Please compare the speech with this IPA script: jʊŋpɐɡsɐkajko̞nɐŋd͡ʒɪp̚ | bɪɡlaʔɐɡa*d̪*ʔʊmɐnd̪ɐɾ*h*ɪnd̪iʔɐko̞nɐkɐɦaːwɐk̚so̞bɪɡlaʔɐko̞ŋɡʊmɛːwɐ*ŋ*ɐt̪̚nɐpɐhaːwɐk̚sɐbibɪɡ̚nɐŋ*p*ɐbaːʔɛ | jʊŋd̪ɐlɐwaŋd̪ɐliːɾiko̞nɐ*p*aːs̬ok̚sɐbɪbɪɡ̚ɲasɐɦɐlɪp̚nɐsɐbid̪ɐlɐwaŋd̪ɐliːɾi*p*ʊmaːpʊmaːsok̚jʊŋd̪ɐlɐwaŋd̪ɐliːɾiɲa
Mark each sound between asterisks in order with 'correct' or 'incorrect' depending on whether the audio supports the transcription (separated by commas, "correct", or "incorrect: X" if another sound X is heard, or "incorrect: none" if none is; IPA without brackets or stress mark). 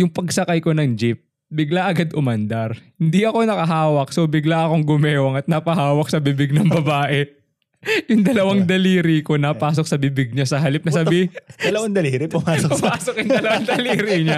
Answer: correct, correct, correct, incorrect: b, correct, correct